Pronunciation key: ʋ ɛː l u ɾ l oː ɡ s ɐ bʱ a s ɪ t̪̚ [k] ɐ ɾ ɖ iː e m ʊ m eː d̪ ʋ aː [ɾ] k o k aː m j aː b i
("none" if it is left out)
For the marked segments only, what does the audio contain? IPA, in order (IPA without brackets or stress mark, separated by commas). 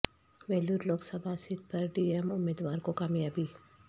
p, ɾ